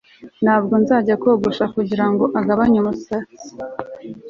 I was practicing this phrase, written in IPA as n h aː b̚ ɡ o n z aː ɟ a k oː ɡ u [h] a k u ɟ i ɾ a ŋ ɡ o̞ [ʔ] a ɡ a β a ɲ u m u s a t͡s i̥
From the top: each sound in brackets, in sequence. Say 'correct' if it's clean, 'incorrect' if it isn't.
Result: incorrect: ʃ, correct

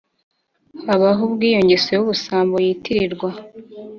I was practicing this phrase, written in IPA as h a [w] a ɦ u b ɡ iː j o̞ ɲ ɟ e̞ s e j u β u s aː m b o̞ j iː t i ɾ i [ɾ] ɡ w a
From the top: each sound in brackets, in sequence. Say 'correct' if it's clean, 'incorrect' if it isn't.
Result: incorrect: β, correct

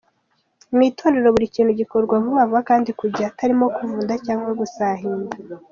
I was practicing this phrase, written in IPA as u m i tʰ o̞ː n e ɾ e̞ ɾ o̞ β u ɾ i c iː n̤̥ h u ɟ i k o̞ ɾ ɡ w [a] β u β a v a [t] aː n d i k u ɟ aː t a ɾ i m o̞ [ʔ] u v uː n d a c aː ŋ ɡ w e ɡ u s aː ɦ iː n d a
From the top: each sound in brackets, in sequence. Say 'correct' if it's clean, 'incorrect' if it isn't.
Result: correct, incorrect: k, incorrect: k

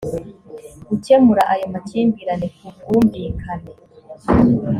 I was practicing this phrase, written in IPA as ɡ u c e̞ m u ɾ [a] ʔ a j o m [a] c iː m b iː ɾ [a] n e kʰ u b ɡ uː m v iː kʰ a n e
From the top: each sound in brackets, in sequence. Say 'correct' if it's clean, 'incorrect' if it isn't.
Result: correct, correct, correct

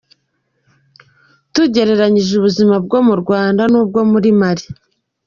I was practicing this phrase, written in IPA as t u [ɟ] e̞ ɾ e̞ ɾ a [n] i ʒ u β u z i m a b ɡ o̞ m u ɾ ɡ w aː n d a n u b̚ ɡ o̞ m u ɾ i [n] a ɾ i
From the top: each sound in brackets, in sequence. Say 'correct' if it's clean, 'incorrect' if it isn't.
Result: correct, incorrect: ɲ, incorrect: m

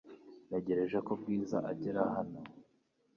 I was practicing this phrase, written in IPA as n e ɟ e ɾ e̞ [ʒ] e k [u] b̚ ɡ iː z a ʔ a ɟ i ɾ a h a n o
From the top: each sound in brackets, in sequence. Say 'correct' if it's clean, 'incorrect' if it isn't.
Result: correct, incorrect: o

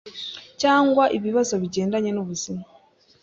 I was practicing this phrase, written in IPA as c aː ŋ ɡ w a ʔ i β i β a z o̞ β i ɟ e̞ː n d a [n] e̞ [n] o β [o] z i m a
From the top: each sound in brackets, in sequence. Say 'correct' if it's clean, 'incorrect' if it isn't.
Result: incorrect: ɲ, correct, incorrect: u

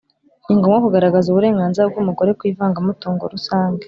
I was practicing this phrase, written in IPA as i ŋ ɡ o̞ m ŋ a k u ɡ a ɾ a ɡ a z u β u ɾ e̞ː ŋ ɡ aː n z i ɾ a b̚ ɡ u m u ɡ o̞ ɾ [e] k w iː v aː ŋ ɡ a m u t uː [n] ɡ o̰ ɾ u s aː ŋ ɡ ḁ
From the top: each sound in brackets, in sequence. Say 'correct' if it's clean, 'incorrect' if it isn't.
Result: correct, incorrect: ŋ

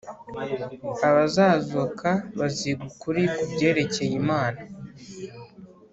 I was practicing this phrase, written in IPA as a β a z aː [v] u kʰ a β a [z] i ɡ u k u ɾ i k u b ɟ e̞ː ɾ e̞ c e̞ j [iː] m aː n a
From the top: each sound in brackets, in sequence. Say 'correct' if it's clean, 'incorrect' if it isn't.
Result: incorrect: z, correct, incorrect: i

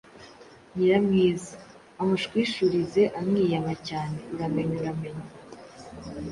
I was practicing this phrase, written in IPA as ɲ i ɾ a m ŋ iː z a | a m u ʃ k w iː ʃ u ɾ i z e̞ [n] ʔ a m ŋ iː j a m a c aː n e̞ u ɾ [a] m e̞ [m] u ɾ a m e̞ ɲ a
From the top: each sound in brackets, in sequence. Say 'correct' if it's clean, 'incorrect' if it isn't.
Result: incorrect: none, correct, incorrect: ɲ

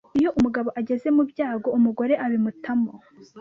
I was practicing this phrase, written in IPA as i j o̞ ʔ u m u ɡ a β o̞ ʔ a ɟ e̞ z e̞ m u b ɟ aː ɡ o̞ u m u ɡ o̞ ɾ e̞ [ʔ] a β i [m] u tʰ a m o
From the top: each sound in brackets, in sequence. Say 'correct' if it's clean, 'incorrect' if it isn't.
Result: correct, correct

